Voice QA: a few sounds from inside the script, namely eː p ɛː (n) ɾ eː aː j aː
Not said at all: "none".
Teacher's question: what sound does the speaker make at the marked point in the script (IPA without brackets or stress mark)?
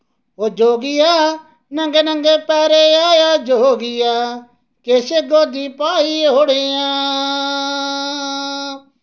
none